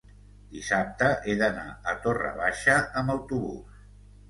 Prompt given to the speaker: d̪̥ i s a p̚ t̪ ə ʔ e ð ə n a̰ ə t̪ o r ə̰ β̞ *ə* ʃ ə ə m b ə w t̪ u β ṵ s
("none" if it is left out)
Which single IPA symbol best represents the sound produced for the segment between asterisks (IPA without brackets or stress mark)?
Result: a